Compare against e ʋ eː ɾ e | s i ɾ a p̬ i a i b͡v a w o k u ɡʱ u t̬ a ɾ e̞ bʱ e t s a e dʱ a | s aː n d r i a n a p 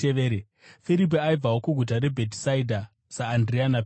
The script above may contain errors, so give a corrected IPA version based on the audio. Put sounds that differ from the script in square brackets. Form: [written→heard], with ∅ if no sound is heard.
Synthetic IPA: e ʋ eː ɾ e | [s→f] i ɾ [a→i] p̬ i a i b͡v a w o k u ɡʱ u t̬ a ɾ e̞ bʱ e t s a [e→i] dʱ a | s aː n d r i a n a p